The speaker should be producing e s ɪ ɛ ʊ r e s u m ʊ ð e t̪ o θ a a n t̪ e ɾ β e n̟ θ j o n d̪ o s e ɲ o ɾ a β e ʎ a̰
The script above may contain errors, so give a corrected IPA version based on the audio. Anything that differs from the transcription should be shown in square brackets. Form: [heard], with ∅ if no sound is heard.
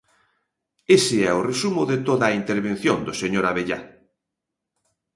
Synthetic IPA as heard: e s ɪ ɛ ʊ r e s u m ʊ ð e t̪ o [ð] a [i] n t̪ e ɾ β e n̟ θ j o n d̪ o s e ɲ o ɾ a β e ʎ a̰

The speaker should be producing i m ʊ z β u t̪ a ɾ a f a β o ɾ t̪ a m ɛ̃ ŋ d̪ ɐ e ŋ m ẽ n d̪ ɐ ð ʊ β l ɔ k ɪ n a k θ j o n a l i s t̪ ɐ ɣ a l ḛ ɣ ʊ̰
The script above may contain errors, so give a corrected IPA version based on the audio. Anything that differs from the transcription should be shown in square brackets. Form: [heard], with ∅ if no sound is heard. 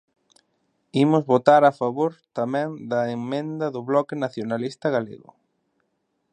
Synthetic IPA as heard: i m ʊ z β [o] t̪ a ɾ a f a β o ɾ t̪ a m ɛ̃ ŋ d̪ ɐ e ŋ m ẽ n d̪ ɐ ð ʊ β l ɔ k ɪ n a [∅] θ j o n a l i s t̪ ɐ ɣ a l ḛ ɣ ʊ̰

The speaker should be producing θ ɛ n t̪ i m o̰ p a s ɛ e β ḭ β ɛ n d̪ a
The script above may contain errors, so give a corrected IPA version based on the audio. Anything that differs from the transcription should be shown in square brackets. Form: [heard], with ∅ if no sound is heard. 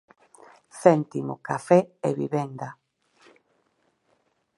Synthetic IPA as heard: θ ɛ n t̪ i m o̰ [k] a [f] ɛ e β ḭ β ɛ n d̪ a

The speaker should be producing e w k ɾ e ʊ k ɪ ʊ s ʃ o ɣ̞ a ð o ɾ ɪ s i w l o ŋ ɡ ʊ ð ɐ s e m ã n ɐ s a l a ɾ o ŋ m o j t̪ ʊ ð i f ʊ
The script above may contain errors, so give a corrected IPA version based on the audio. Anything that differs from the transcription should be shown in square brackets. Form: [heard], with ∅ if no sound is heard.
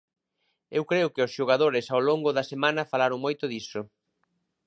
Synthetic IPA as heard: e w k ɾ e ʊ k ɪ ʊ s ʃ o ɣ̞ a ð o ɾ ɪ s [a] w l o ŋ ɡ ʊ ð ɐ s e m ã n ɐ [f] a l a ɾ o ŋ m o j t̪ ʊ ð i [s] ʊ

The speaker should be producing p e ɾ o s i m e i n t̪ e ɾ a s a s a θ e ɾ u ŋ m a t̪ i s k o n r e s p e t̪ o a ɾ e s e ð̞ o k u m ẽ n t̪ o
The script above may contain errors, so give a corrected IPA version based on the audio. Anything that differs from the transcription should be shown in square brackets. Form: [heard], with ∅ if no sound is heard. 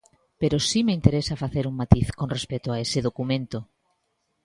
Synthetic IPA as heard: p e ɾ o s i m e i n t̪ e ɾ [e] s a [f] a θ e ɾ u ŋ m a t̪ i [θ] k o n r e s p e t̪ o a [∅] e s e ð̞ o k u m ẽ n t̪ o

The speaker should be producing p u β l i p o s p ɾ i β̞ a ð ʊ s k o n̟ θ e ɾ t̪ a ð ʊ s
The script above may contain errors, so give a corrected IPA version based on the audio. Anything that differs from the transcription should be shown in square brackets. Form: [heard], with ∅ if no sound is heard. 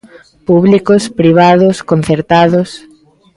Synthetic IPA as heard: p u β l i [k] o s p ɾ i β̞ a ð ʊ s k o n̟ θ e ɾ t̪ a ð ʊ s

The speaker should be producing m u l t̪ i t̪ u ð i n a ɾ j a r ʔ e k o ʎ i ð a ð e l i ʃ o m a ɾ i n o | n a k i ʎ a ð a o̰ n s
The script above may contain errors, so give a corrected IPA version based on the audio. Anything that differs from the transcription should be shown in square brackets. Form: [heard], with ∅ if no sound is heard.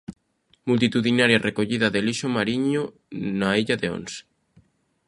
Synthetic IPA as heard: m u l t̪ i t̪ u ð i n a ɾ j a r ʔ e k o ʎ i ð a ð e l i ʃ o m a ɾ i [ɲ] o | n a [∅] i ʎ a ð [e] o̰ n s

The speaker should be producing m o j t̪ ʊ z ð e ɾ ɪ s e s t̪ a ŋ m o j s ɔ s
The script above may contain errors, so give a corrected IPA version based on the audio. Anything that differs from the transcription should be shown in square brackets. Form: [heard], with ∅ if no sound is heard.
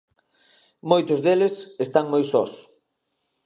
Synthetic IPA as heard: m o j t̪ ʊ z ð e [l] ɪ s e s t̪ a ŋ m o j s ɔ s

